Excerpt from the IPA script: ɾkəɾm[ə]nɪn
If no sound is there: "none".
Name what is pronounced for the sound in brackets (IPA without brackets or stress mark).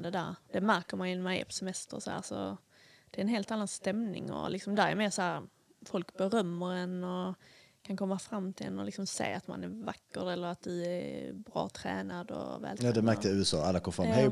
a